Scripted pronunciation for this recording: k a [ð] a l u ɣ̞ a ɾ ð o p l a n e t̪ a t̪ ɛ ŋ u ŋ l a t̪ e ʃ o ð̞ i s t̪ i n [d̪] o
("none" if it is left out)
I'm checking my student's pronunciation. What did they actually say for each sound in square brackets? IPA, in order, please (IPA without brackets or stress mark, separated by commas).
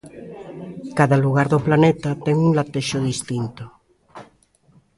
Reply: ð, t̪